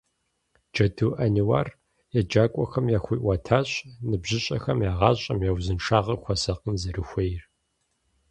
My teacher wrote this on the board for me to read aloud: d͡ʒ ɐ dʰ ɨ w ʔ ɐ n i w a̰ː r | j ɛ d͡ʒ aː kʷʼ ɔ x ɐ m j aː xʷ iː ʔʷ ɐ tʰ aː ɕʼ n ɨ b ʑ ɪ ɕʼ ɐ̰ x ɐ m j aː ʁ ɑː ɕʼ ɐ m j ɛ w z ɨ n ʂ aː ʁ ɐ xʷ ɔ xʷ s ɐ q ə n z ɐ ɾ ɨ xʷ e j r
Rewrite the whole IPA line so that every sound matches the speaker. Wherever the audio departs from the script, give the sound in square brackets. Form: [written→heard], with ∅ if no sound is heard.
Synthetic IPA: d͡ʒ ɐ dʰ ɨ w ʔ ɐ n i w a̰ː r | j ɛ d͡ʒ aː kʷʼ ɔ x ɐ m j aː xʷ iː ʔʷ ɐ tʰ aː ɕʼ n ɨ b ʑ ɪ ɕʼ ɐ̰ x ɐ m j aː ʁ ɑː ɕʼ ɐ m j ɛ w z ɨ n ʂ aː ʁ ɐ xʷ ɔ [xʷ→∅] s ɐ q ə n z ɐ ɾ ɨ xʷ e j r

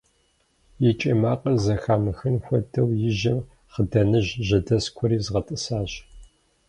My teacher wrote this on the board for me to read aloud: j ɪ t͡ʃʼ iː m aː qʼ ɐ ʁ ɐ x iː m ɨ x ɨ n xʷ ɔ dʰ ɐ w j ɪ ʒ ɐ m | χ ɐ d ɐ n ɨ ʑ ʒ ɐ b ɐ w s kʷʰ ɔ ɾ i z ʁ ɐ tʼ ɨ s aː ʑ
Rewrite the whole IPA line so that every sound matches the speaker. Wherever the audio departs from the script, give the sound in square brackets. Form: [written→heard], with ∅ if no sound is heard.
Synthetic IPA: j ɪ t͡ʃʼ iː m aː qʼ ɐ [ʁ→z] ɐ x [iː→aː] m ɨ x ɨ n xʷ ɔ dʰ ɐ w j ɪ ʒ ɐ m | χ [ɐ→ə] d ɐ n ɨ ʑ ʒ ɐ [b→d] ɐ [w→∅] s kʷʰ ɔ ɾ [i→iː] z ʁ ɐ tʼ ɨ s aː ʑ

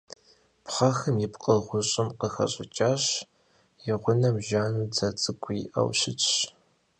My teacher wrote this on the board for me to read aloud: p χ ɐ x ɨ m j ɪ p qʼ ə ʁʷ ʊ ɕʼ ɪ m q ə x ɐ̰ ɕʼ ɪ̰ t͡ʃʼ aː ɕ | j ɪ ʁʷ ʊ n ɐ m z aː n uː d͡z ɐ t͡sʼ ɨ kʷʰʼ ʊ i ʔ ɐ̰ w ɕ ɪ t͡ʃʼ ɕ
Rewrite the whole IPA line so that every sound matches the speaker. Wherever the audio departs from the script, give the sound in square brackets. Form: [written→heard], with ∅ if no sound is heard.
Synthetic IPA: p χ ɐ x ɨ m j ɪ p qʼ ə ʁʷ ʊ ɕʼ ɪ m q ə x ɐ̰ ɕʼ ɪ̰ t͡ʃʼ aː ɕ | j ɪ ʁʷ ʊ n ɐ m [z→ʒ] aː n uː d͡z ɐ t͡sʼ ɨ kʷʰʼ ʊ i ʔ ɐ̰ w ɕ ɪ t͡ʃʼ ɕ

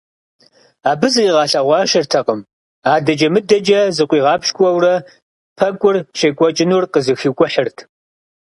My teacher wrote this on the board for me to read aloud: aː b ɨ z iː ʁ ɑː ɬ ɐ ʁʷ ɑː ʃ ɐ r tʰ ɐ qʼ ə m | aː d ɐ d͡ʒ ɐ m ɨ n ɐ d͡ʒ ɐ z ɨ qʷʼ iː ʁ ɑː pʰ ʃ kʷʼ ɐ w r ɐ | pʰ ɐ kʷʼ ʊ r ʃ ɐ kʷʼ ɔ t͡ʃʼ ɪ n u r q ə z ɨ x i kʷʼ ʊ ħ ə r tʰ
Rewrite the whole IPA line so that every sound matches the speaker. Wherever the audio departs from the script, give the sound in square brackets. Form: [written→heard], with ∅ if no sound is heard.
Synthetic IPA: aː b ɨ z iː ʁ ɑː ɬ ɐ ʁʷ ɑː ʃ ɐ r tʰ ɐ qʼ ə m | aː d ɐ d͡ʒ ɐ m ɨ [n→d] ɐ d͡ʒ ɐ z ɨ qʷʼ iː ʁ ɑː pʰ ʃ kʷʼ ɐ w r ɐ | pʰ ɐ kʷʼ ʊ r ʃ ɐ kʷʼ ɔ t͡ʃʼ ɪ n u r q ə z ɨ x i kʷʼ ʊ ħ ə r tʰ

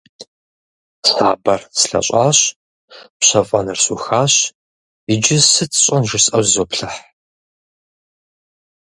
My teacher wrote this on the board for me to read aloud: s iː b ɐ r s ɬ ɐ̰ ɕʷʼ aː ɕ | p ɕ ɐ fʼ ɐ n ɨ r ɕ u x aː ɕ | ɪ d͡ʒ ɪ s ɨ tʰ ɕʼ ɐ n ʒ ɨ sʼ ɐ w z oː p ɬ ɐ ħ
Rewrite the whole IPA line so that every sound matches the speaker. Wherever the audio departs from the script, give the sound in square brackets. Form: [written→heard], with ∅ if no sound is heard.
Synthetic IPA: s [iː→aː] b ɐ r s ɬ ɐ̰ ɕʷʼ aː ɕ | p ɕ ɐ fʼ ɐ n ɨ r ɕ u x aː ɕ | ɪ d͡ʒ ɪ s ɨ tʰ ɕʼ ɐ n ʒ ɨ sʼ ɐ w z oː p ɬ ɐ ħ

